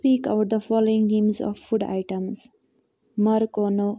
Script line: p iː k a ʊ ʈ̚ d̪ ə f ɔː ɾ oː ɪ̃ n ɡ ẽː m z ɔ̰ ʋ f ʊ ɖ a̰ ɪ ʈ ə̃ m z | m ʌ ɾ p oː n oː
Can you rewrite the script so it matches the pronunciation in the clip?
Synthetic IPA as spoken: p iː k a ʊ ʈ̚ d̪ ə f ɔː l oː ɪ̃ ŋ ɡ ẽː m z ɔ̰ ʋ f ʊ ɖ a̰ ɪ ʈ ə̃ m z | m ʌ ɾ k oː n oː